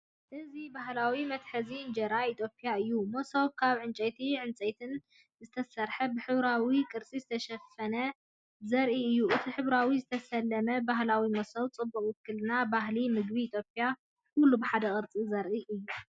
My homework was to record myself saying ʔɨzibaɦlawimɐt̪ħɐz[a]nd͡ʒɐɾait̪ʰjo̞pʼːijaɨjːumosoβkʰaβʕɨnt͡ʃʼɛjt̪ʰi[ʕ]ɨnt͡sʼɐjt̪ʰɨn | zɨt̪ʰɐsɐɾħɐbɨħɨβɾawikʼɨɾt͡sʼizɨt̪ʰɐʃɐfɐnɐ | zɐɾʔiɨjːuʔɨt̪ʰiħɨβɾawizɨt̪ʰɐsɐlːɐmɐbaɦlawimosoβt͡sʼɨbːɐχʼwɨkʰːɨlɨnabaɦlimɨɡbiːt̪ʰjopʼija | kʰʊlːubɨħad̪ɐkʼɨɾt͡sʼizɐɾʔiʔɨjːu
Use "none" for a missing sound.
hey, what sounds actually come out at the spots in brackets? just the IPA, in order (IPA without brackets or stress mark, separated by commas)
i, ʕ